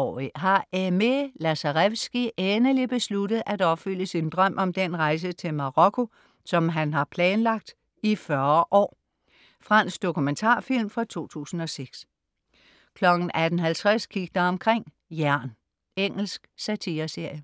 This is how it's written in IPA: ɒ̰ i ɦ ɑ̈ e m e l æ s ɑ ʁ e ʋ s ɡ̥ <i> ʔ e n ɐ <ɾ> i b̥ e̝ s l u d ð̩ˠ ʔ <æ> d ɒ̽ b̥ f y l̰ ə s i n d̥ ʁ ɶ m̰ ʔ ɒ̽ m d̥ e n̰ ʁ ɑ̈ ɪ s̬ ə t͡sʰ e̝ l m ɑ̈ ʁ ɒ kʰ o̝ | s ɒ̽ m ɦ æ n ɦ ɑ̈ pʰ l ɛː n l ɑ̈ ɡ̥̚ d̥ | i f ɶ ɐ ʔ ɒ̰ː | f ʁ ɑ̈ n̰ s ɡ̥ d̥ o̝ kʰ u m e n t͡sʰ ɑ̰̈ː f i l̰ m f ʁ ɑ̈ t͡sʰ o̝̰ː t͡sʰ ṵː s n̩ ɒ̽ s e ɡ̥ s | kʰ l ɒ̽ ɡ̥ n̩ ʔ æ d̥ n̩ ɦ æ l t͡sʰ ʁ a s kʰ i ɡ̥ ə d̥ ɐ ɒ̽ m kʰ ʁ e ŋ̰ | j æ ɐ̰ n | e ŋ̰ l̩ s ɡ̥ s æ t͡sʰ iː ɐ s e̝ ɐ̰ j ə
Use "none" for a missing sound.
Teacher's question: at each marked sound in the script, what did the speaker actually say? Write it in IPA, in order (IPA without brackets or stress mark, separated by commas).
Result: i, l, æ